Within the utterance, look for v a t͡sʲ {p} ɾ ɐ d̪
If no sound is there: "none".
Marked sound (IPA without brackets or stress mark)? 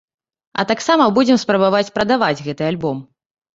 p